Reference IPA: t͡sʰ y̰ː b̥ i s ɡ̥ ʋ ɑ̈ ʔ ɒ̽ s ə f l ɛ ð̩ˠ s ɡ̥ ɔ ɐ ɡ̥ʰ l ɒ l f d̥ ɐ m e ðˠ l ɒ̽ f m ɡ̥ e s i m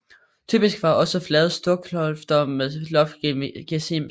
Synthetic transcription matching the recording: t͡sʰ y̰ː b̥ i s ɡ̥ ʋ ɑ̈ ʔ ɒ̽ s ə f l ɛ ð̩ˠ s d̥ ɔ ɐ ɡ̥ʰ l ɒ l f d̥ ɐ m e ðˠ l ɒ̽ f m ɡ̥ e s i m